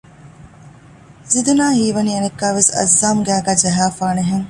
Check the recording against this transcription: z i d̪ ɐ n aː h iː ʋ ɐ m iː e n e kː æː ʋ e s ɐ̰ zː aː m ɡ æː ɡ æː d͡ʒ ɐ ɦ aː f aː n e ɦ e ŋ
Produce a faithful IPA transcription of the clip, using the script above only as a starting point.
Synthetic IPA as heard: z i d̪ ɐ n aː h iː ʋ ɐ n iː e n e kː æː ʋ e s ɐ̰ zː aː m ɡ æː ɡ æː d͡ʒ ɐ ɦ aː f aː n e ɦ e ŋ